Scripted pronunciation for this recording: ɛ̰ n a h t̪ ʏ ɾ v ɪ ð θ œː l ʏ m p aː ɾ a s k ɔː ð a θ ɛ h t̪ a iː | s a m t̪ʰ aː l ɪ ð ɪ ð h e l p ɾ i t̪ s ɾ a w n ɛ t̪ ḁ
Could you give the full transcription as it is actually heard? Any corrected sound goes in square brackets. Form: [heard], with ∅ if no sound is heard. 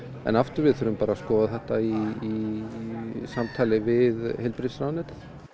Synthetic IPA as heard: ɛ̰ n a [f] t̪ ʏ ɾ v ɪ ð θ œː [ɾ] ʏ m p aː ɾ a s k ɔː ð a θ ɛ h t̪ a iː | s a m t̪ʰ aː l ɪ [v] ɪ ð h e l p ɾ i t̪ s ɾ a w n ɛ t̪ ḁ